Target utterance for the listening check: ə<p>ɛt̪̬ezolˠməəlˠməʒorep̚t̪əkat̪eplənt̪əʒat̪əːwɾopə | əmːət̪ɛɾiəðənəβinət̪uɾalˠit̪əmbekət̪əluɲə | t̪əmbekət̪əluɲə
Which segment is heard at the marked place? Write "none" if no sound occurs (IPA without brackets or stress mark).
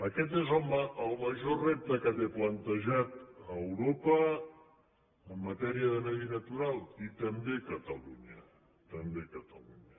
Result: k